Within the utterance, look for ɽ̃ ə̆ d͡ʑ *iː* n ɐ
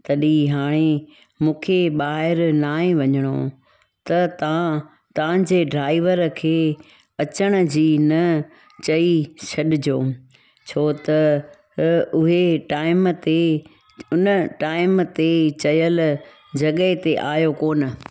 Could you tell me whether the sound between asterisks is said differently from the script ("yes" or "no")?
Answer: no